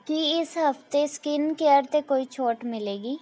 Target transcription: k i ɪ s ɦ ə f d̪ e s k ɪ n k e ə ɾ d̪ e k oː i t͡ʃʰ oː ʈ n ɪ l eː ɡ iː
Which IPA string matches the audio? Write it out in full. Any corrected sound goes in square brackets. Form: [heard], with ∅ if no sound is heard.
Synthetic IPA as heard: k i ɪ s ɦ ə f [t̪] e s k ɪ n k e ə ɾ [t̪] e k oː i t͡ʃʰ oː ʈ [m] ɪ l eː ɡ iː